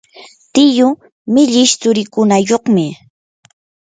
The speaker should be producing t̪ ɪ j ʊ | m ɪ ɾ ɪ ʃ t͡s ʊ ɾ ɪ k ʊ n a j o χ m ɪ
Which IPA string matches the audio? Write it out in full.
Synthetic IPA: t̪ ɪ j ʊ | m ɪ ʎ ɪ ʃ t͡s ʊ ɾ ɪ k ʊ n a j o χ m ɪ